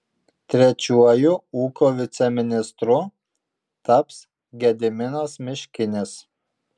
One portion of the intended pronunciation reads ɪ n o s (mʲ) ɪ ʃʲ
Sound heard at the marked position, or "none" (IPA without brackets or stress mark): mʲ